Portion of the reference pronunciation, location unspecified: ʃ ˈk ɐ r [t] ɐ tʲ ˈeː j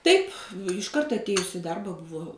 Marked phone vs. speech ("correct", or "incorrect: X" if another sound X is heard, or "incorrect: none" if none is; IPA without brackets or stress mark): correct